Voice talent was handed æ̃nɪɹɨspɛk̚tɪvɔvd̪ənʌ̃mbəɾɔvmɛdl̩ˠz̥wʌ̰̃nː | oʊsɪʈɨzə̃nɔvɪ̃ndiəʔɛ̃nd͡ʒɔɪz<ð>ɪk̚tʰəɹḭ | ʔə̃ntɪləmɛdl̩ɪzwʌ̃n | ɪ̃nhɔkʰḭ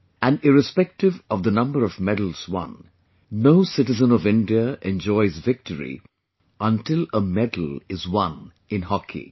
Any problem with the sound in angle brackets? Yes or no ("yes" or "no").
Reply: yes